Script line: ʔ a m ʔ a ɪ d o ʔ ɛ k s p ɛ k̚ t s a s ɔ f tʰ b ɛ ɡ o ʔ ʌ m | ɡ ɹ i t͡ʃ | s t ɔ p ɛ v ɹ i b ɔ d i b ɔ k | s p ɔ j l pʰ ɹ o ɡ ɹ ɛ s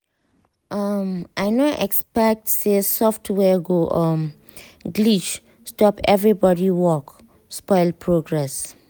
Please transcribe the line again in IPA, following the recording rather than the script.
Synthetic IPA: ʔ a m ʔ a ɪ n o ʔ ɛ k s p ɛ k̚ t s e s ɔ f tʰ w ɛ ɡ o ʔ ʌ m | ɡ l i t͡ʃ | s t ɔ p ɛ v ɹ i b ɔ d i w ɔ k | s p ɔ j l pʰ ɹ o ɡ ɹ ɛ s